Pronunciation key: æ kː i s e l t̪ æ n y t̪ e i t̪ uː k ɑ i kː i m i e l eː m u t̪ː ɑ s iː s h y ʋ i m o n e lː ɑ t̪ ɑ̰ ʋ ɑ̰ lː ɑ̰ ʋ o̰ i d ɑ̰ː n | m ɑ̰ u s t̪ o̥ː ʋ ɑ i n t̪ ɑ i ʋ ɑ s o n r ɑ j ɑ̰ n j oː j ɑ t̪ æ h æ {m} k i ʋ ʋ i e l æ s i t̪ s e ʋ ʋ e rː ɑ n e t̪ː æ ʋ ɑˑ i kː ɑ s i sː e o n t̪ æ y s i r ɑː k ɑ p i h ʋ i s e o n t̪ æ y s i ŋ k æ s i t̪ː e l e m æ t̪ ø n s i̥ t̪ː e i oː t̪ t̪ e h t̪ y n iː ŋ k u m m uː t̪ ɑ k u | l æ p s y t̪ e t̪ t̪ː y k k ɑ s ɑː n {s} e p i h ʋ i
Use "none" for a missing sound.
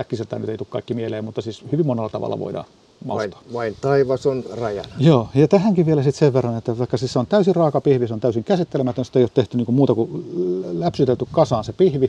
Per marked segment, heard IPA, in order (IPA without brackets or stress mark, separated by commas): ŋ, s